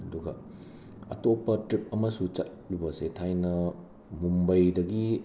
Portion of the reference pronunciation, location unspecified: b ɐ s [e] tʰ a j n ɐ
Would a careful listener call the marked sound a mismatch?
no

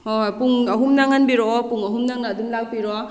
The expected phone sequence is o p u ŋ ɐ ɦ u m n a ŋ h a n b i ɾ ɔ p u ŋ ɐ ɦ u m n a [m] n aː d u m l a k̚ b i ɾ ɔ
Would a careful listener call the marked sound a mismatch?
yes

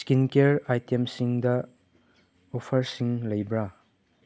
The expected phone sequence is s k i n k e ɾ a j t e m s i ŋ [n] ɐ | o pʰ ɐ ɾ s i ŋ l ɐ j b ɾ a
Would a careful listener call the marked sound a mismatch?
yes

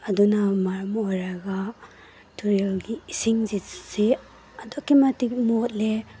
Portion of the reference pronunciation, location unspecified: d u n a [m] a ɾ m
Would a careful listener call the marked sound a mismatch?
no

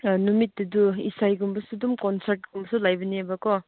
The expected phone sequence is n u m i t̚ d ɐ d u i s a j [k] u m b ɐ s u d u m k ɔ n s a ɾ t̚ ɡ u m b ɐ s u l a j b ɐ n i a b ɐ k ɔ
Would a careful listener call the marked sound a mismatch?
yes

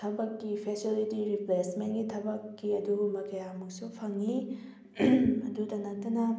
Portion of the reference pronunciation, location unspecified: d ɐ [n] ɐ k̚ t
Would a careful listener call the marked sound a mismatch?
no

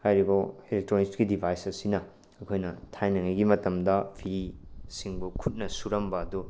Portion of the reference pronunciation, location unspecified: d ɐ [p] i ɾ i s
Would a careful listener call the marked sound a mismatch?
yes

